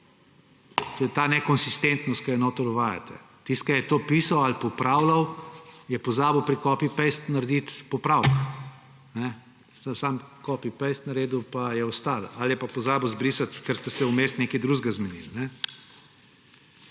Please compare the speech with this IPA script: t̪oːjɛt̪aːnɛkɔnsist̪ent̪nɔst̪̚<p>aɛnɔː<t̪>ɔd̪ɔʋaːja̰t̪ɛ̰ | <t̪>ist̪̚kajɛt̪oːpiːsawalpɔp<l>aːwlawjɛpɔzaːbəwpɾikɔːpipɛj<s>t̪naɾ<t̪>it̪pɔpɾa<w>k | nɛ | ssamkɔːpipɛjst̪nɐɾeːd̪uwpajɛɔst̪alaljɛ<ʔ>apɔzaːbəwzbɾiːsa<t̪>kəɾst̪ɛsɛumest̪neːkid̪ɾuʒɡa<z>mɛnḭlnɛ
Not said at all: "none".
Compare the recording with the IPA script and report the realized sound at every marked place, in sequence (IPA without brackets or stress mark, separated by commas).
k, t̪, t̪, ɾ, s, d̪, w, p, t̪, z